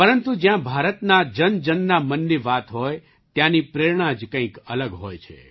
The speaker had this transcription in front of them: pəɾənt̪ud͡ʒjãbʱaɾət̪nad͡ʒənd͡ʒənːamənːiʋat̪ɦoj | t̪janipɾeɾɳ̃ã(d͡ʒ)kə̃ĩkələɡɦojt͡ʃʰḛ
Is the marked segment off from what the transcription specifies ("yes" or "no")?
no